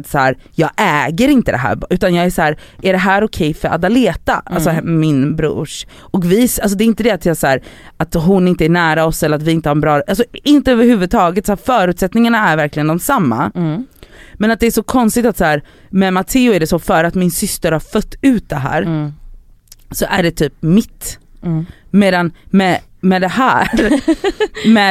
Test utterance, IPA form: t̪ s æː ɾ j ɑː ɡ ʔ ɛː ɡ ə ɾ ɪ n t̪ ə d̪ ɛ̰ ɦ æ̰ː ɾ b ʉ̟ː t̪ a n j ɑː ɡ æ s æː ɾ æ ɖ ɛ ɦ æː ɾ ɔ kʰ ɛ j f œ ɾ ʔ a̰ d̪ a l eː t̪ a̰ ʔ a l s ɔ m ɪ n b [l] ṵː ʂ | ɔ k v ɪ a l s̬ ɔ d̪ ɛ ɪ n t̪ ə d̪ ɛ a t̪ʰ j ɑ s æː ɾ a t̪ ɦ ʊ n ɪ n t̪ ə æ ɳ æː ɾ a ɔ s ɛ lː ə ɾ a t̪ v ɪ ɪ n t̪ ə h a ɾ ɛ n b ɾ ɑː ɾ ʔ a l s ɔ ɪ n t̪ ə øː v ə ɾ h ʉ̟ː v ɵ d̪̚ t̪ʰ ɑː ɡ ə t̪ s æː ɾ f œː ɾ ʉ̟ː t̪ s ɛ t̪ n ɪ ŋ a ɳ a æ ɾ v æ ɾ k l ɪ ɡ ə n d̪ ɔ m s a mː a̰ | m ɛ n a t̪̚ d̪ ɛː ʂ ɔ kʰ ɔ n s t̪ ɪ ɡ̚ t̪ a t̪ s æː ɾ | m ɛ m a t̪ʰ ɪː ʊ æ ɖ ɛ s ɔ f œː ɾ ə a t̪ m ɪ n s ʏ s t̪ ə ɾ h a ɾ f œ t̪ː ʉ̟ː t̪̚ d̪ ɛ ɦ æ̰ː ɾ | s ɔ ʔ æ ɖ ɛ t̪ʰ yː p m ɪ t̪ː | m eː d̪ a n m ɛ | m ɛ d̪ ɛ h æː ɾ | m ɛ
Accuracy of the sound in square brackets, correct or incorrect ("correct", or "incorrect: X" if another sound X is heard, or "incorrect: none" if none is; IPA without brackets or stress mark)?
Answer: incorrect: ɾ